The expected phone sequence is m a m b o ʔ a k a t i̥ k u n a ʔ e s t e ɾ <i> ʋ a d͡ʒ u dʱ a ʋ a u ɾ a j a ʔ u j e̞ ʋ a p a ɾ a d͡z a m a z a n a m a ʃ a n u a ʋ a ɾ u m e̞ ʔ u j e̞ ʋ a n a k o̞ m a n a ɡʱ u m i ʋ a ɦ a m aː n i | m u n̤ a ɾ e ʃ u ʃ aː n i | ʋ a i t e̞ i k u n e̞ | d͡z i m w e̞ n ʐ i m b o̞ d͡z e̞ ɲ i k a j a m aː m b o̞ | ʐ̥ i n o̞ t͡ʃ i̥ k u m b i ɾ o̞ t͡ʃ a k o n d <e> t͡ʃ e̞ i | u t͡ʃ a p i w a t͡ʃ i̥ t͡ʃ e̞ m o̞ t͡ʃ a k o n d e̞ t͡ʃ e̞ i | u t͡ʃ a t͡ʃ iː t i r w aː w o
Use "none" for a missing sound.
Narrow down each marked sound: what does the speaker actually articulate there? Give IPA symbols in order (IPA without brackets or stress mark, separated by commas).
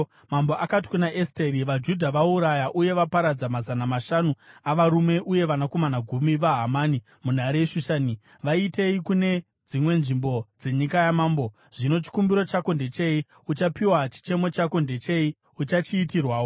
i, e